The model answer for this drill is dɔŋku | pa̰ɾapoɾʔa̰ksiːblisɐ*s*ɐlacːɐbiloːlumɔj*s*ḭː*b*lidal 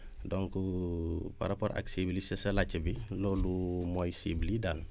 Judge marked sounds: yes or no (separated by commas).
yes, yes, yes